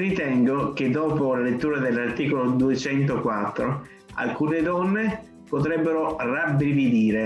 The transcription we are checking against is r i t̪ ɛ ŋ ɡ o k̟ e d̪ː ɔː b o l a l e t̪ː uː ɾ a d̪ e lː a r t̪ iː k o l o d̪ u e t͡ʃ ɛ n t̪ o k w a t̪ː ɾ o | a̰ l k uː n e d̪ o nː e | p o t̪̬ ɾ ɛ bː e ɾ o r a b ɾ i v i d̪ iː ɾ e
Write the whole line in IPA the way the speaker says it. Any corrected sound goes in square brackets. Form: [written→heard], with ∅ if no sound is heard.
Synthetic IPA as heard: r i t̪ ɛ ŋ ɡ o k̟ e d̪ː ɔː [b→p] o l a l e t̪ː uː ɾ a d̪ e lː a r t̪ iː k o l o d̪ u e t͡ʃ ɛ n t̪ o k w a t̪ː ɾ o | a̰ l k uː n e d̪ [o→ɔ] nː e | p o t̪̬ ɾ ɛ bː e ɾ o r a b ɾ i v i d̪ iː ɾ e